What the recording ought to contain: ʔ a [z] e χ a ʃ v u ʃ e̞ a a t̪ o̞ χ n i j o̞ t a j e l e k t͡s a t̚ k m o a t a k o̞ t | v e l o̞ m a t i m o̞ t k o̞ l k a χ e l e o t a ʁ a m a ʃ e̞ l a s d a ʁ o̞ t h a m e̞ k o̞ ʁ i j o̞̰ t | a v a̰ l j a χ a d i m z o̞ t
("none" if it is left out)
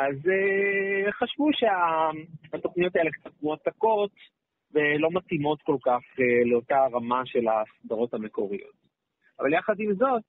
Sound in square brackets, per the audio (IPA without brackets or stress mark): z